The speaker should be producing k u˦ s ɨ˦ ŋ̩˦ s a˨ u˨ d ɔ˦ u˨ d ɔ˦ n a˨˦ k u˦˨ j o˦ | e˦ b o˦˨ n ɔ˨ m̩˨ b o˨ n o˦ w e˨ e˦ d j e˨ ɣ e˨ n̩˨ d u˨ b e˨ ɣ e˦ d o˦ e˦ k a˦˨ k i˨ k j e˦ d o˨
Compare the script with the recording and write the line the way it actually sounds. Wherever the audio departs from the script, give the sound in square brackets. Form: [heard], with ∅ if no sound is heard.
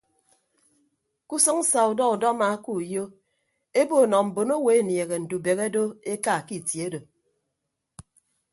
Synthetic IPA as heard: k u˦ s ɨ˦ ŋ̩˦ s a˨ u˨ d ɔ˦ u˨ d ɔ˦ [m] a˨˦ k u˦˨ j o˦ | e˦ b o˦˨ n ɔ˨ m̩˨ b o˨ n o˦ w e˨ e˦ [n] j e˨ ɣ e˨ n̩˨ d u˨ b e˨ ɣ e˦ d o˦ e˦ k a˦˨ k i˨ [t] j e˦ d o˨